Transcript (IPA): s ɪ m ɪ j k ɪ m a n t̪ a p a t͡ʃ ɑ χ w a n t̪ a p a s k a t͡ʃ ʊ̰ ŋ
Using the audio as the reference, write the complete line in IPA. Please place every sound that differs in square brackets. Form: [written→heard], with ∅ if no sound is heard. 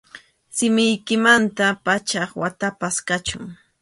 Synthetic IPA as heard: s ɪ m ɪ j k ɪ m a n t̪ a p a t͡ʃ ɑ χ w a [n→∅] t̪ a p a s k a t͡ʃ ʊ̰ ŋ